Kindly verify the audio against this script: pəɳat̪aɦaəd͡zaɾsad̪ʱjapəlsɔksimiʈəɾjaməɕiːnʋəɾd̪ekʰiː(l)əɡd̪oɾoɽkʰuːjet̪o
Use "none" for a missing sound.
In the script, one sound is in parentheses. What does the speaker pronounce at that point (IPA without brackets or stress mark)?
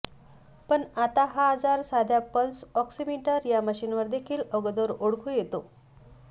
l